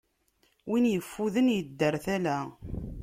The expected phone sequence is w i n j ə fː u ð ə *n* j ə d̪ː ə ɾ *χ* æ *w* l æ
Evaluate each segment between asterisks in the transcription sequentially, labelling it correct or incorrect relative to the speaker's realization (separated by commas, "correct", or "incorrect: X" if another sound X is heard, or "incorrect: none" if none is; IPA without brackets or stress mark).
correct, incorrect: θ, incorrect: none